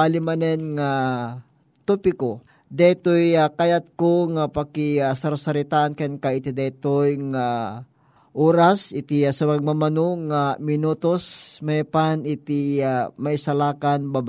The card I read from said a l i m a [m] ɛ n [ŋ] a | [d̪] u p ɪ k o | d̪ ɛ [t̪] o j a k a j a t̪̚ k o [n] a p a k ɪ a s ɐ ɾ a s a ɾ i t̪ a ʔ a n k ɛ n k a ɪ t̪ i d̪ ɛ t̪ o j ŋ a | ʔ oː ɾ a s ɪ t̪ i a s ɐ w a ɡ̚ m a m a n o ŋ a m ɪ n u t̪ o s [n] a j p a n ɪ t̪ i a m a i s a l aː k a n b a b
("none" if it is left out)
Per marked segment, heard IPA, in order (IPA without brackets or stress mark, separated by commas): n, ŋ, t̪, t̪, ŋ, m